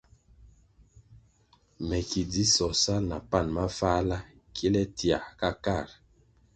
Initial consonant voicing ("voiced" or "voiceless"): voiced